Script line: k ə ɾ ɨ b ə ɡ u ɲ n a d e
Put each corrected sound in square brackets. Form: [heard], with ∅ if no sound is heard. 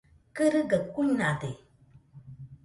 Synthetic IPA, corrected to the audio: k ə ɾ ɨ [ɡ] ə [k] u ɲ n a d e